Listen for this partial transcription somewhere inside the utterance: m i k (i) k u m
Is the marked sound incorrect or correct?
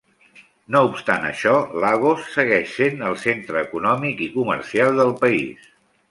correct